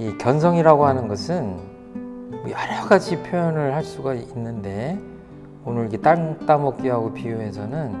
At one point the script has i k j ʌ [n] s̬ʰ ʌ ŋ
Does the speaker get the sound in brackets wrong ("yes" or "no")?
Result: no